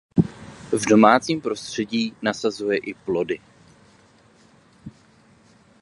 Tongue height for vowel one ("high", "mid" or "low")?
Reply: mid